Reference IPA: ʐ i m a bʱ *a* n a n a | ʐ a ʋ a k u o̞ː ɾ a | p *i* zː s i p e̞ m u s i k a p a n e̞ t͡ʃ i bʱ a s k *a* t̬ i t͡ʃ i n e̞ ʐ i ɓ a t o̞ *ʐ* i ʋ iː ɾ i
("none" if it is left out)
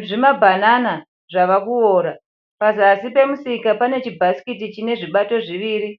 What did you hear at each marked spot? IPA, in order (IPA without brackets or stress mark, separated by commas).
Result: a, a, i, ʐ